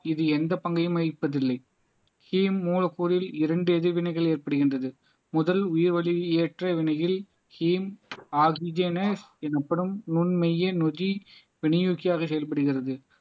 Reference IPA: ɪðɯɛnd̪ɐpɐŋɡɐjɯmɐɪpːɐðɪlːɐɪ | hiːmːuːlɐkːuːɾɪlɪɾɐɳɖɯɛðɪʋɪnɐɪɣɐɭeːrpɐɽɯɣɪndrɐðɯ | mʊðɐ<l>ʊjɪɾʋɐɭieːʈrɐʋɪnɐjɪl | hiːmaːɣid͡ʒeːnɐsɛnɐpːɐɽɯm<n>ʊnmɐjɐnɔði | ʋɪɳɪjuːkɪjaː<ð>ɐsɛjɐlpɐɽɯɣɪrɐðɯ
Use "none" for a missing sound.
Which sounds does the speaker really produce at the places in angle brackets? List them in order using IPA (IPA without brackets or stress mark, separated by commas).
l, n, ɣ